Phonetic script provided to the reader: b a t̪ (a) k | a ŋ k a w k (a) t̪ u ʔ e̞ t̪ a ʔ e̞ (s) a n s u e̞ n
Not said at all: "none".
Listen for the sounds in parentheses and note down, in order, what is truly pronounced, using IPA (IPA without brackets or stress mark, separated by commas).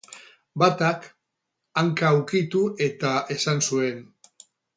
a, i, s